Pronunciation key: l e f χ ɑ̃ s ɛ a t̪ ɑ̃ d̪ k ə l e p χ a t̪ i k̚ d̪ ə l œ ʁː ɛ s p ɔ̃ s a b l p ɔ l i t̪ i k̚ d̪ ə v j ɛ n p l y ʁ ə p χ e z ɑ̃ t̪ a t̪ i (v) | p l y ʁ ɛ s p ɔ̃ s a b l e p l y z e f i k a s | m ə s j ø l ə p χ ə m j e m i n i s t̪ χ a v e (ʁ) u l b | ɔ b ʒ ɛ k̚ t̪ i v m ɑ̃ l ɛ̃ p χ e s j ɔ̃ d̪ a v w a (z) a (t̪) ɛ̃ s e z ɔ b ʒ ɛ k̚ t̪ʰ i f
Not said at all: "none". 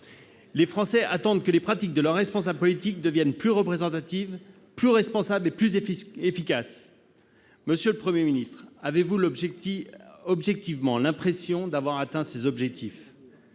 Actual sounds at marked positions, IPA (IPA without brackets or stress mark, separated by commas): v, v, ʁ, t̪